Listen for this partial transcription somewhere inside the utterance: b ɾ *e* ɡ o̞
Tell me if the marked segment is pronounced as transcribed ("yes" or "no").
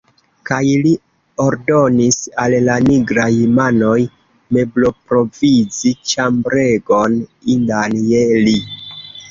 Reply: yes